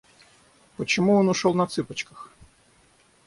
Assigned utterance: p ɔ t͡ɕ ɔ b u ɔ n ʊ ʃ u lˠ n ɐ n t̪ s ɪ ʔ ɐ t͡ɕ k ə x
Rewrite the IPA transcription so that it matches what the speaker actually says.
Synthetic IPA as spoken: p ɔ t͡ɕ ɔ m u ɔ n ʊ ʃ ɔ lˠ n ɐ t̪ s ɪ p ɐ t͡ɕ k ɐ x

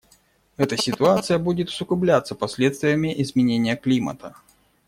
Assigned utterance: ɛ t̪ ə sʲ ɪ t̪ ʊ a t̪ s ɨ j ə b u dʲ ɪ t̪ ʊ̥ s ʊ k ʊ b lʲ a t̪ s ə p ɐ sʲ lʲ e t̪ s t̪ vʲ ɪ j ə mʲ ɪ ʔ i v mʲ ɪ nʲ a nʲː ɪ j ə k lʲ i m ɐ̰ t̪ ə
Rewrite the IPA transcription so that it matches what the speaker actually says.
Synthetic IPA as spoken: ɛ t̪ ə sʲ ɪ t̪ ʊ a t̪ s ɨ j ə b u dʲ ɪ t̪ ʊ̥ s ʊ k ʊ b lʲ a t̪ s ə p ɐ sʲ lʲ e t̪ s t̪ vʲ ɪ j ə mʲ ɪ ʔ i z mʲ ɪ nʲ e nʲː ɪ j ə k lʲ i m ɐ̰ t̪ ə

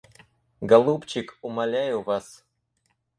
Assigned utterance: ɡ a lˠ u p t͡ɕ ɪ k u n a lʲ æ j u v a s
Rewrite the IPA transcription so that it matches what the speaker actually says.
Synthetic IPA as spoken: ɡ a lˠ u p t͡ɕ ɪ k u m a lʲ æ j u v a s

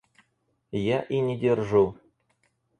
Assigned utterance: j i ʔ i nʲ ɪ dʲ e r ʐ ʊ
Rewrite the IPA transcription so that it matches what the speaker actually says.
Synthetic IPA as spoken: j a ʔ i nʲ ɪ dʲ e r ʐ u

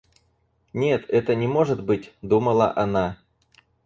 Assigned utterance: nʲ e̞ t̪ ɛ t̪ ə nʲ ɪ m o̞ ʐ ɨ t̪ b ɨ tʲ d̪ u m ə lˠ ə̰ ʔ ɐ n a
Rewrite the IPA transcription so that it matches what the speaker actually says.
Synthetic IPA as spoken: nʲ e̞ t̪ ɛ t̪ ə nʲ ɪ m o̞ ʐ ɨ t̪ b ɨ tʲ d̪ u m ə lˠ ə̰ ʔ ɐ n a

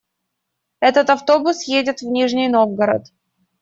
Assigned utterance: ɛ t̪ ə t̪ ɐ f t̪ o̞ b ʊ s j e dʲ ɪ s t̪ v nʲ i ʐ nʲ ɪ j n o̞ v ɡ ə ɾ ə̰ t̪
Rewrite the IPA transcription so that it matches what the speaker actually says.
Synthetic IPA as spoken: ɛ t̪ ə t̪ ɐ f t̪ o̞ b ʊ s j e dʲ ɪ t̪ v nʲ i ʐ nʲ ɪ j n o̞ v ɡ ə ɾ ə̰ t̪

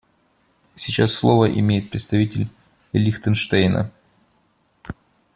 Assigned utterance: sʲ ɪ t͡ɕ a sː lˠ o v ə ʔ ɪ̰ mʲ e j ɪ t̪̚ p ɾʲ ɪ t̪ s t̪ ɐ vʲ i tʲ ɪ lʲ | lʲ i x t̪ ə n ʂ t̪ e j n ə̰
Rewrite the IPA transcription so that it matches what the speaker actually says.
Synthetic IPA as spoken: sʲ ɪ t͡ɕ a sː lˠ o v ə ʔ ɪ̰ mʲ e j ɪ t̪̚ p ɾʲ ɪ t̪ s t̪ ɐ vʲ i tʲ ɪ lʲ | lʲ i x t̪ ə n ʂ t̪ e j n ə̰

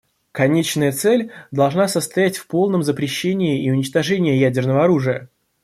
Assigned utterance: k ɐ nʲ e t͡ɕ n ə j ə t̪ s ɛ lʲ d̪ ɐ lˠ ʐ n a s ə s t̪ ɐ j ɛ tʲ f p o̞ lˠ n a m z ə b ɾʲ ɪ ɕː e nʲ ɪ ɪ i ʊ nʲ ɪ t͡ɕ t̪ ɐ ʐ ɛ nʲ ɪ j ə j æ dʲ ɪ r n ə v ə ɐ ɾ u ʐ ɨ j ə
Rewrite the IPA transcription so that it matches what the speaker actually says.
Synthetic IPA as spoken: k ɐ nʲ e t͡ɕ n ə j ə t̪ s ɛ lʲ d̪ ɐ lˠ ʐ n a s ə s t̪ ɐ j æ tʲ f p o̞ lˠ n ə m z ə p ɾʲ ɪ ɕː e nʲ ɪ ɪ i ʊ nʲ ɪ t͡ɕ t̪ ɐ ʐ ɛ nʲ ɪ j ə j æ dʲ ɪ r n ə v ə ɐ ɾ u ʐ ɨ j ə

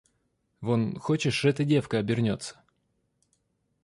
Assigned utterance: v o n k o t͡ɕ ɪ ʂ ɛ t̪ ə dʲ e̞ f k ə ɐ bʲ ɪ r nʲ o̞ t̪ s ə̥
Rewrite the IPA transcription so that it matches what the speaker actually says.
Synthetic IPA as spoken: v o n x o t͡ɕ ɪ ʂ ɛ t̪ ə dʲ e̞ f k ə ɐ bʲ ɪ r nʲ o̞ t̪ s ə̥

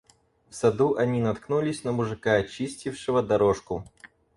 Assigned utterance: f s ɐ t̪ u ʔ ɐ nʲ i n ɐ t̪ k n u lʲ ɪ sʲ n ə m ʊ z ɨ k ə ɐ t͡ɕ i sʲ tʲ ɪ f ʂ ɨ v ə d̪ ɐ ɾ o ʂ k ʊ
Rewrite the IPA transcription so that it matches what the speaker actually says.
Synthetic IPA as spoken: f s ɐ d̪ u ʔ ɐ nʲ i n ɐ t̪ k n u lʲ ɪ sʲ n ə m ʊ ʐ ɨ k a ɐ t͡ɕ i sʲ tʲ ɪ f ʂ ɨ v ə d̪ ɐ ɾ o ʂ k ʊ

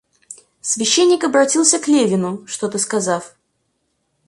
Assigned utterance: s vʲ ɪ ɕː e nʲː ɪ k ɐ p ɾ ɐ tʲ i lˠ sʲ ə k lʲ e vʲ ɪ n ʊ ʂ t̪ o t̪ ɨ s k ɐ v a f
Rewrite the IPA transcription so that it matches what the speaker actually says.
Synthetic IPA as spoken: s vʲ ɪ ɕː e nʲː ɪ k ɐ b ɾ ɐ tʲ i lˠ sʲ ə k lʲ e vʲ ɪ n ʊ ʂ t̪ o t̪ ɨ s k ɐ z a f

